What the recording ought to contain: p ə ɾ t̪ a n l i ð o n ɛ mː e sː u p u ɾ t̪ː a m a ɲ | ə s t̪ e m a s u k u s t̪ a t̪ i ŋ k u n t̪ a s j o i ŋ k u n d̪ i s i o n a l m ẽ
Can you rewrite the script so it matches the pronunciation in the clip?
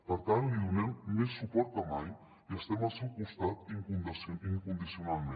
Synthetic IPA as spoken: p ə ɾ t̪ a n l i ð u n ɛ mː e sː u p ɔ ɾ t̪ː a m a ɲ | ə s t̪ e m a s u k u s t̪ a t̪ i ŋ k u n d̪ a s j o i ŋ k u n d̪ i s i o n a l m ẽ

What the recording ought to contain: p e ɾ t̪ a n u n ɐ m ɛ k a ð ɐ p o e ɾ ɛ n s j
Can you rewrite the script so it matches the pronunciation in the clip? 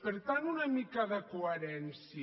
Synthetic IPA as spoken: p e ɾ t̪ a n u n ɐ m i k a ð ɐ k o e ɾ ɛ n s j

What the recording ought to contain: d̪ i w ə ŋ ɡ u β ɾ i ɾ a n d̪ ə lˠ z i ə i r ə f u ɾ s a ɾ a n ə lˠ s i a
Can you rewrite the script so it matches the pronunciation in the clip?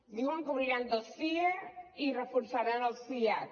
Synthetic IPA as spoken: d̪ i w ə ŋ k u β ɾ i ɾ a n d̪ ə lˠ s i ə i r ə f u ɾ s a ɾ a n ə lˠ s i a

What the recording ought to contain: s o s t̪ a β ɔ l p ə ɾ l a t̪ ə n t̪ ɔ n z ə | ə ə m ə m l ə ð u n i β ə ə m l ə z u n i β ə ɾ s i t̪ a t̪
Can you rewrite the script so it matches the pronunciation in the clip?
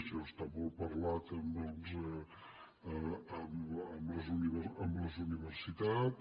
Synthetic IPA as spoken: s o s t̪ a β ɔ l p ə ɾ l a t̪ ə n d̪ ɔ n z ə | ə ə m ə m l ə z u n i β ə ə m l ə z u n i β ə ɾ s i t̪ a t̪

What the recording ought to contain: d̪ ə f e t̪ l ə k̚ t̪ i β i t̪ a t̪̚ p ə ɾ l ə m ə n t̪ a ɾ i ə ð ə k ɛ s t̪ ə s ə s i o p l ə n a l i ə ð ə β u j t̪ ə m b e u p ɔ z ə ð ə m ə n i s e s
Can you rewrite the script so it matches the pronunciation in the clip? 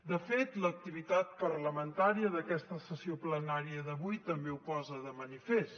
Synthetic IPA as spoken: d̪ ə f e t̪ l ə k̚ t̪ i β i t̪ a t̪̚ p ə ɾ l ə m ə n t̪ a ɾ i ə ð ə k ɛ s t̪ ə s ə s i o p l ə n a ɾ i ə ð ə β u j t̪ ə m b e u p ɔ z ə ð ə m ə n i f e s

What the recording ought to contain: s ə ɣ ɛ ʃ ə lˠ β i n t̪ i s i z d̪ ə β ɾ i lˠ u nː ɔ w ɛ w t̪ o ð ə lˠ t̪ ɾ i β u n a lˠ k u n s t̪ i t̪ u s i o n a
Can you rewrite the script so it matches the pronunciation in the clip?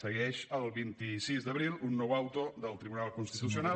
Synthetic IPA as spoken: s ə ɣ ɛ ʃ ə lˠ β i n t̪ i s i z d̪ ə β ɾ i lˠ u nː ɔ w a w t̪ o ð ə lˠ t̪ ɾ i β u n a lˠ k u n s t̪ i t̪ u s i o n a

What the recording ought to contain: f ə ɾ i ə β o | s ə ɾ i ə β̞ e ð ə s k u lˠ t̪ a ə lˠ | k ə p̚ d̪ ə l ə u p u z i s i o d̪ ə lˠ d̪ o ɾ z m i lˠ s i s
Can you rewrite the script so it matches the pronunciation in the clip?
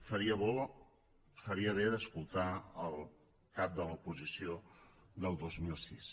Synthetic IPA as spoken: f ə ɾ i ə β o | f ə ɾ i ə β̞ e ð ə s k u lˠ t̪ a ə lˠ | k a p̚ d̪ ə l ə u p u z i s i o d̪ ə lˠ d̪ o z m i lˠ s i s

